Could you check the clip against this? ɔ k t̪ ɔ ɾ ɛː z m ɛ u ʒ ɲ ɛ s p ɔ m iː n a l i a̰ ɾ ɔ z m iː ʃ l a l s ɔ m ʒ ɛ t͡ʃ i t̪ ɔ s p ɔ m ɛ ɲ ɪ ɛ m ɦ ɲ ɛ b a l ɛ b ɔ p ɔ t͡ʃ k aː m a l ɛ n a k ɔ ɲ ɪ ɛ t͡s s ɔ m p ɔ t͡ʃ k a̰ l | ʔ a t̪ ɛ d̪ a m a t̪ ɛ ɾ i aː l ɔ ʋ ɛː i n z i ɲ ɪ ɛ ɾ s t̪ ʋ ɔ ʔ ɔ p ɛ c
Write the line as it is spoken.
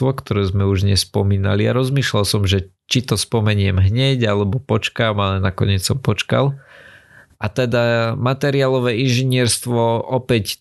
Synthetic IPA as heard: ɔ k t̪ ɔ ɾ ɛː z m ɛ u ʒ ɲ ɛ s p ɔ m iː n a l i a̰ ɾ ɔ z m iː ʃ l a l s ɔ m ʒ ɛ t͡ʃ i t̪ ɔ s p ɔ m ɛ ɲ ɪ ɛ m ɦ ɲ ɛ ɟ a l ɛ b ɔ p ɔ t͡ʃ k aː m a l ɛ n a k ɔ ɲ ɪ ɛ t͡s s ɔ m p ɔ t͡ʃ k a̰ l | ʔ a t̪ ɛ d̪ a m a t̪ ɛ ɾ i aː l ɔ ʋ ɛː i n ʒ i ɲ ɪ ɛ ɾ s t̪ ʋ ɔ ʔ ɔ p ɛ c